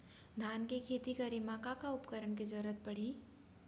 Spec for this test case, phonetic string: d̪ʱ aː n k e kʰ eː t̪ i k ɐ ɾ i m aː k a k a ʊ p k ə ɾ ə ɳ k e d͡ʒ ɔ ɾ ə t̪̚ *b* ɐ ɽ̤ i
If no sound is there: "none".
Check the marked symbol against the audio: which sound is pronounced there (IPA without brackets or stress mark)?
p